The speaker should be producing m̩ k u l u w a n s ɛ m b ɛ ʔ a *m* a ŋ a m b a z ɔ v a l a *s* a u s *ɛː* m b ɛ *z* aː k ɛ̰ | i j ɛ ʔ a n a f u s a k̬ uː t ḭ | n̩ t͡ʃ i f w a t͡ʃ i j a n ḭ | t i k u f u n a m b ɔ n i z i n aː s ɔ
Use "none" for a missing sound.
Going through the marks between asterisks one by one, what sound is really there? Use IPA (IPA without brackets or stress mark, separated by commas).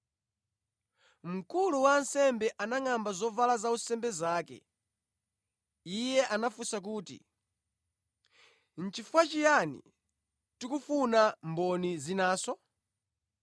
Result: n, z, ɛ, z